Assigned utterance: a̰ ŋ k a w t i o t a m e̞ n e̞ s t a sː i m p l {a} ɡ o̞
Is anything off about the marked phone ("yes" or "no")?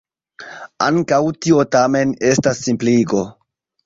yes